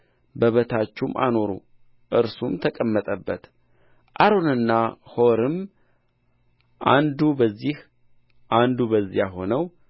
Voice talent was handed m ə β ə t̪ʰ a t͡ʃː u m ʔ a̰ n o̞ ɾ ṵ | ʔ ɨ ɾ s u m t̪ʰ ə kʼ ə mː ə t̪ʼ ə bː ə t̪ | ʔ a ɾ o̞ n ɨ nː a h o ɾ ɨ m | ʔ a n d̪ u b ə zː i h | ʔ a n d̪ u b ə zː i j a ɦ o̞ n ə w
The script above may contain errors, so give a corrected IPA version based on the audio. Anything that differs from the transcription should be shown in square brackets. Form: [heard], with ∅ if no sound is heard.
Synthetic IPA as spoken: [b] ə β ə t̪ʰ a t͡ʃː u m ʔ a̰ n o̞ ɾ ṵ | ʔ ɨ ɾ s u m t̪ʰ ə kʼ ə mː ə t̪ʼ ə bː ə t̪ | ʔ a ɾ o̞ n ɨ nː a h o ɾ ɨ m | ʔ a n d̪ u b ə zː i h | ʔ a n d̪ u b ə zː i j a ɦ o̞ n ə w